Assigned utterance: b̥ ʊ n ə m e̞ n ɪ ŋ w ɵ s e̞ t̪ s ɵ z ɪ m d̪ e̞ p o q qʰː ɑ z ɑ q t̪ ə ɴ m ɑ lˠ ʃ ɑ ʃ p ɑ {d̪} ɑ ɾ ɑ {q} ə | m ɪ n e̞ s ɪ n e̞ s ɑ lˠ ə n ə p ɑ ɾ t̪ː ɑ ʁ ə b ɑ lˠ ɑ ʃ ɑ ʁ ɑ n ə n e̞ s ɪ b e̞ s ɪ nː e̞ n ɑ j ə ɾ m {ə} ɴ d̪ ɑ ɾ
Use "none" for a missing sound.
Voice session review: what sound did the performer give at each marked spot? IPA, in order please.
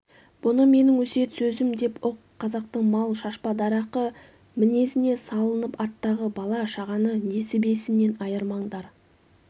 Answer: d̪, q, ɑ

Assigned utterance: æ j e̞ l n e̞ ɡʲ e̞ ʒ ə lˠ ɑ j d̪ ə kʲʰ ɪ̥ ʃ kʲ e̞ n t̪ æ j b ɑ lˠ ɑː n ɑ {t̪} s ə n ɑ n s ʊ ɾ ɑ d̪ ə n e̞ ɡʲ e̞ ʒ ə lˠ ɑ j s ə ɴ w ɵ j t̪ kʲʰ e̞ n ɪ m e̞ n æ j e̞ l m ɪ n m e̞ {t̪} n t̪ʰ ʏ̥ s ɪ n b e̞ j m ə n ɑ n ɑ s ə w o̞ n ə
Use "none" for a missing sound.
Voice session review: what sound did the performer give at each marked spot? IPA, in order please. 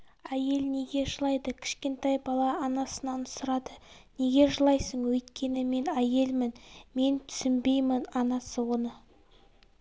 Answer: none, none

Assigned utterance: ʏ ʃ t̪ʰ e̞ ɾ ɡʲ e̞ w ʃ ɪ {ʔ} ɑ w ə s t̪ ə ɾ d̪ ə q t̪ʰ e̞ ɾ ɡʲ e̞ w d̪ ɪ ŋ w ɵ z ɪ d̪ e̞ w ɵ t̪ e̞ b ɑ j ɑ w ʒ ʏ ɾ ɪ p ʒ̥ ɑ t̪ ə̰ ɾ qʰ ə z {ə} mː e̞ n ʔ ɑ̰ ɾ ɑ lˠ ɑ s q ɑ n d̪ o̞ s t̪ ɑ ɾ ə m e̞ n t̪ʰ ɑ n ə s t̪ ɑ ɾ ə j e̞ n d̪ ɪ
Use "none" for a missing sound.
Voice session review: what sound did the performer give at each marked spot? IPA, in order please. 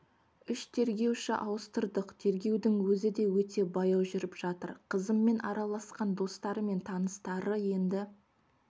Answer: ʔ, ə

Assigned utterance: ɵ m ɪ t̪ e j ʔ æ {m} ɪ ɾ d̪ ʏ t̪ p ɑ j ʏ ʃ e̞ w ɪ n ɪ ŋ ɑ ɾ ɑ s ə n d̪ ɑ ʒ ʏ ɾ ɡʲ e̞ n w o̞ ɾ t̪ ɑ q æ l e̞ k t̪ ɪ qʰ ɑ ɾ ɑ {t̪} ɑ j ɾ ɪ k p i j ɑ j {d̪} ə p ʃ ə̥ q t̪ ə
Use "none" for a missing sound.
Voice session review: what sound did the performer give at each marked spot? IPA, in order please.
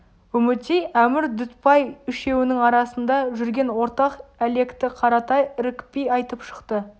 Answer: m, t̪, t̪

